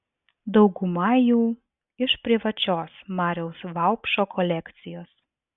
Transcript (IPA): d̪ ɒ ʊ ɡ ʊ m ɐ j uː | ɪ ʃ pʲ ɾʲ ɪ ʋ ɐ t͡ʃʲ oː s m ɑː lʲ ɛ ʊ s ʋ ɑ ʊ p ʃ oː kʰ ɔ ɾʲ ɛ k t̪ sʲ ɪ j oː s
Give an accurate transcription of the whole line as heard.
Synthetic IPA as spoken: d̪ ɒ ʊ ɡ ʊ m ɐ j uː | ɪ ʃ pʲ ɾʲ ɪ ʋ ɐ t͡ʃʲ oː s m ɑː ɾʲ ɛ ʊ s ʋ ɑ ʊ p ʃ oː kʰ ɔ lʲ ɛ k t̪ sʲ ɪ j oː s